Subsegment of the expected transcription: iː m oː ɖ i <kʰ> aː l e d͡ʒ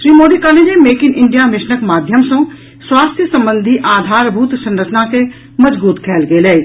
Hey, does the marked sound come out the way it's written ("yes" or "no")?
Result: no